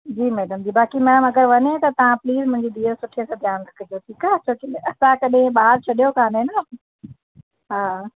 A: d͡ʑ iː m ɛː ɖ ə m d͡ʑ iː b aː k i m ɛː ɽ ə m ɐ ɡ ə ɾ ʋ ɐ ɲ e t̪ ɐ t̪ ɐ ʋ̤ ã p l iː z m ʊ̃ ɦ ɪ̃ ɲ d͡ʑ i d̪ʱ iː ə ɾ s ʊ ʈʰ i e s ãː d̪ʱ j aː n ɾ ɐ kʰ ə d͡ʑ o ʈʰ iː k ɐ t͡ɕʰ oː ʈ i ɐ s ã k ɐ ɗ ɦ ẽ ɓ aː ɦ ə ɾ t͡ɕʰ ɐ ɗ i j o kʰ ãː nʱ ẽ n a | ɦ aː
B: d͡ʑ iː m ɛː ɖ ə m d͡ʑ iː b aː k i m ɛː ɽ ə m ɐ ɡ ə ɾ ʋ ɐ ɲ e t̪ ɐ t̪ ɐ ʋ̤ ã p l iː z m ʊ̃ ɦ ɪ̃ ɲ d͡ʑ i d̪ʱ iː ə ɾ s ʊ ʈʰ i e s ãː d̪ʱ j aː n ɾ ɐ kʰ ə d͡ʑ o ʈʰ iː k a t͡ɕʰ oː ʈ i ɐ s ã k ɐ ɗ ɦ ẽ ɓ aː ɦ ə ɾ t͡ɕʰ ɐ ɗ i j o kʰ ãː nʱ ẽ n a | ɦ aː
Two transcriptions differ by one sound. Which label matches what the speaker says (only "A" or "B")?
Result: B